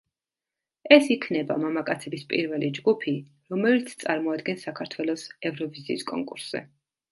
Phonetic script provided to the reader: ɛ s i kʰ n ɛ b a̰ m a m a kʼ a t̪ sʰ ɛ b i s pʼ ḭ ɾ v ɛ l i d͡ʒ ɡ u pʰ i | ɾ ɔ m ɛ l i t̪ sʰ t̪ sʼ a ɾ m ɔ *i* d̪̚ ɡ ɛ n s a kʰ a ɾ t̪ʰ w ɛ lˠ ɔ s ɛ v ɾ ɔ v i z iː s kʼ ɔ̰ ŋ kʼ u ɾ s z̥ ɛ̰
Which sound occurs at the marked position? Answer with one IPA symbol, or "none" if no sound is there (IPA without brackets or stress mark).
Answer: a